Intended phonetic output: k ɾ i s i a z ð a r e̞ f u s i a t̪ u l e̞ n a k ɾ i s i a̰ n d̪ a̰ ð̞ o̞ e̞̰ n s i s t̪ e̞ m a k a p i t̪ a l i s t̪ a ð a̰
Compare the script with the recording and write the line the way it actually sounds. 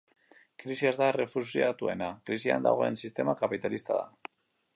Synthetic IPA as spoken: k ɾ i s i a z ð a r e̞ f u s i a t̪ u e̞ n a k ɾ i s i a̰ n d̪ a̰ ɣ̞ o̞ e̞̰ n s i s t̪ e̞ m a k a p i t̪ a l i s t̪ a ð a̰